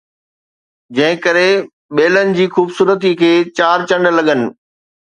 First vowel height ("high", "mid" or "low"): low